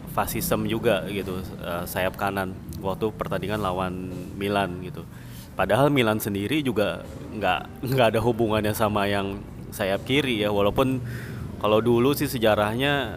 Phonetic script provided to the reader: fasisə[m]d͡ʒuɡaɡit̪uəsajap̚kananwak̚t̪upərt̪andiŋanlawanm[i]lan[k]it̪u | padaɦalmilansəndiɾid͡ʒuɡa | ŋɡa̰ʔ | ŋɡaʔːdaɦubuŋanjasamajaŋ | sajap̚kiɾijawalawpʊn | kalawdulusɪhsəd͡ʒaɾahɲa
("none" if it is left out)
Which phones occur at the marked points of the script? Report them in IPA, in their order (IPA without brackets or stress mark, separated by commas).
m, i, ɡ